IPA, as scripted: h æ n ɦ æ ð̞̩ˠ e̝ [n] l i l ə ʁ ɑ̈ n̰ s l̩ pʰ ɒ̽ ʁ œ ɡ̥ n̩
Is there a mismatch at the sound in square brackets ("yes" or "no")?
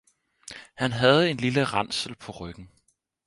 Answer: no